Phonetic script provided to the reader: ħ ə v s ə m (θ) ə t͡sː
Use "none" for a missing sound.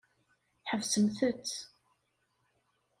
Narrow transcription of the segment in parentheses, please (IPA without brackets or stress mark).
θ